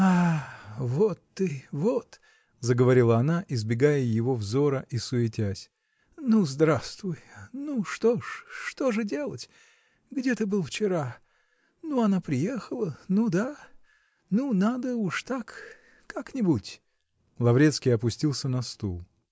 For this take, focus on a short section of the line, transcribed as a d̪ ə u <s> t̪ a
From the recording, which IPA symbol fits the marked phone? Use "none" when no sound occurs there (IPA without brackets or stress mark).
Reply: ʂ